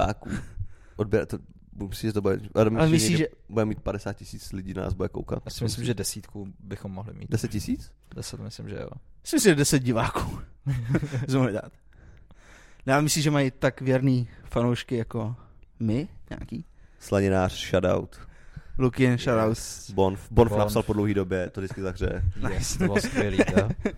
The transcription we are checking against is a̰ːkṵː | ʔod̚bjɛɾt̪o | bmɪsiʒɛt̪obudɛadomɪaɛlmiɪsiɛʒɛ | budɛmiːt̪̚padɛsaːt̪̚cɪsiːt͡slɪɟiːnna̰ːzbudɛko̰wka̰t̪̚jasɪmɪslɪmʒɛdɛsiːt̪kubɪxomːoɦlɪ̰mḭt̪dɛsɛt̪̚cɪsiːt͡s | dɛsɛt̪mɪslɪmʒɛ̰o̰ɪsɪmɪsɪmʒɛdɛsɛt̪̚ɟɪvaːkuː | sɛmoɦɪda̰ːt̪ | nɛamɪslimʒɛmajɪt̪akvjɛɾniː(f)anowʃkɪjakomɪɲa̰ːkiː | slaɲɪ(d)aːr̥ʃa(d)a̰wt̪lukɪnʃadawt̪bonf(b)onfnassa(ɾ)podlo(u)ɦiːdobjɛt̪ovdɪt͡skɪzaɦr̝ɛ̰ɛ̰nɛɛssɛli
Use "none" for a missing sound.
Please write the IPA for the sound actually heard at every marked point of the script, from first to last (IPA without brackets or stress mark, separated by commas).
f, n, d, b, l, w